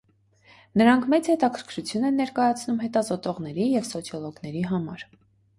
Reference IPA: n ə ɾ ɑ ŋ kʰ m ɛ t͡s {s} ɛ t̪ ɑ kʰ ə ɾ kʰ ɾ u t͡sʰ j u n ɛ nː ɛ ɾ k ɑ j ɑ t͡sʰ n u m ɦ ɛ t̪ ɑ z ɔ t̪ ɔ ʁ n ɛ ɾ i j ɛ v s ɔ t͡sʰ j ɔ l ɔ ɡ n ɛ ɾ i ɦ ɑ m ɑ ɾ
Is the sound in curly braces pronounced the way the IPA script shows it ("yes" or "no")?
no